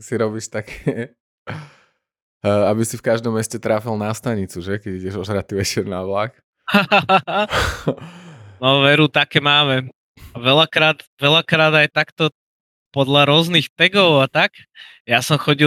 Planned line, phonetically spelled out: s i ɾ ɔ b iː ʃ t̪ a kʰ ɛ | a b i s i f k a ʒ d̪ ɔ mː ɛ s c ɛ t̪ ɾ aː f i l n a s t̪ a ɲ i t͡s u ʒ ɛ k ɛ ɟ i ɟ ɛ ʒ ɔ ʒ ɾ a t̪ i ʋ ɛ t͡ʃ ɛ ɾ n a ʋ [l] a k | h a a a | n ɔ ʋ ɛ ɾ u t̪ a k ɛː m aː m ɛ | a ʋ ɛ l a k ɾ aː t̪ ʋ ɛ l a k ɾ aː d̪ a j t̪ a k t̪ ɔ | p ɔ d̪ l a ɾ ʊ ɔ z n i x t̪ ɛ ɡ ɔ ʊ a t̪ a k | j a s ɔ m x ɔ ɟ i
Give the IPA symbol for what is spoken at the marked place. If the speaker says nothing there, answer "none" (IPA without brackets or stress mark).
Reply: l